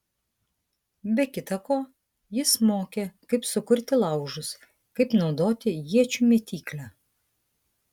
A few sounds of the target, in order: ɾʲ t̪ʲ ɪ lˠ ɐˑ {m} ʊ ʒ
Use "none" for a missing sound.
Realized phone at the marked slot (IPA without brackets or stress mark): none